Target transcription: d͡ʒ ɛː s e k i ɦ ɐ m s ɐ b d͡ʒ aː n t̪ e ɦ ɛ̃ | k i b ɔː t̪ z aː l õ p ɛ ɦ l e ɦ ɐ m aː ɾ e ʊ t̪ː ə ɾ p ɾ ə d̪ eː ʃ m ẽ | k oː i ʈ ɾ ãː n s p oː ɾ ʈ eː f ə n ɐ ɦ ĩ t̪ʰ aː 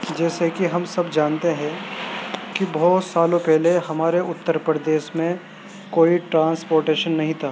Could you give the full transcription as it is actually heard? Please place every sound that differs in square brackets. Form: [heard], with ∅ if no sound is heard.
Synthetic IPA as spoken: d͡ʒ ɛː s e k i ɦ ɐ m s ɐ b d͡ʒ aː n t̪ e ɦ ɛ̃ | k i b ɔː t̪ [s] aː l õ p ɛ ɦ l e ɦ ɐ m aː ɾ e ʊ t̪ː ə ɾ p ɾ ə d̪ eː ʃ m ẽ | k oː i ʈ ɾ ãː n s p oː ɾ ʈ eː [ʃ] ə [nː] ɐ ɦ ĩ t̪ʰ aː